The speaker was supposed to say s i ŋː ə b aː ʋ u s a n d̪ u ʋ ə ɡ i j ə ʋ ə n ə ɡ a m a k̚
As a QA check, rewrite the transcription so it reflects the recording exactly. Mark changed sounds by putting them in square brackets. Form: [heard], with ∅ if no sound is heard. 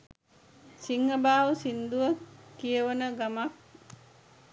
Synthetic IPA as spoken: s i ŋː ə b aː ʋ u s [i] n d̪ u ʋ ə [k] i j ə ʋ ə n ə ɡ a m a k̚